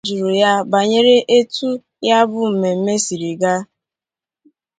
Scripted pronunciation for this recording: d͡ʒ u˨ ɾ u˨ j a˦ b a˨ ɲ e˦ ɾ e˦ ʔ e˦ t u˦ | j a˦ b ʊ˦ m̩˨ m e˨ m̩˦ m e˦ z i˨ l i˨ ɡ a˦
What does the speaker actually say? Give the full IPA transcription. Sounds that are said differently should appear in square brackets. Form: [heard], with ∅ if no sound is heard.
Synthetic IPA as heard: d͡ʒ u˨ ɾ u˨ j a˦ b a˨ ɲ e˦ ɾ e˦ ʔ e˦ t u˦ | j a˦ b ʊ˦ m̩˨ m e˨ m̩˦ m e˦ [s] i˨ [ɾ] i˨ ɡ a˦